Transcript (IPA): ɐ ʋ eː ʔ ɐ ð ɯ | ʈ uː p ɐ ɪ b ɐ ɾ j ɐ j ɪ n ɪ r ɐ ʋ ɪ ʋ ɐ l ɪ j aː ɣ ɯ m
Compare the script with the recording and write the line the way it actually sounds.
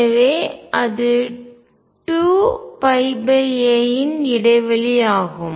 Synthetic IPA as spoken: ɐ ʋ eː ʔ ɐ ð ɯ | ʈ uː p ɐ ɪ b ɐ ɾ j ɐ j ɪ n ɪ ɽ ɐ ɪ ʋ ɐ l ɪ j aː ɣ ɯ m